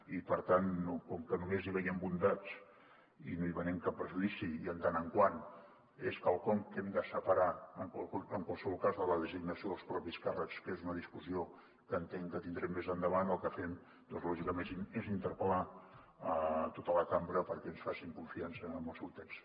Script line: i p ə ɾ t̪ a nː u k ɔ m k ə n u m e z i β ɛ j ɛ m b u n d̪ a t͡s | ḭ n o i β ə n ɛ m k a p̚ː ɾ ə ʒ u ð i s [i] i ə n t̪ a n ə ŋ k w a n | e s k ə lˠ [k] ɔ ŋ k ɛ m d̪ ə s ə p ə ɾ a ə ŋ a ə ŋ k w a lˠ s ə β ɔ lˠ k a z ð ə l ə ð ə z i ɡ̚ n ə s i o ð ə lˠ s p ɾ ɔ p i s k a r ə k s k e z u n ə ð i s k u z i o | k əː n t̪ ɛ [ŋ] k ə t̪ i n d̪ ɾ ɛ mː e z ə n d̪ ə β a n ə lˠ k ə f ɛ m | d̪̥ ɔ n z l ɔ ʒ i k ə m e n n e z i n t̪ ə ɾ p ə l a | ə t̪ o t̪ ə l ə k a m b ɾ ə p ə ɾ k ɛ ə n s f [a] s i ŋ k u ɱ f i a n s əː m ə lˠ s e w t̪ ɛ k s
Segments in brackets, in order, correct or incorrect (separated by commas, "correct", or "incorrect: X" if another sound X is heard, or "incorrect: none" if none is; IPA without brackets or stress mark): correct, correct, correct, correct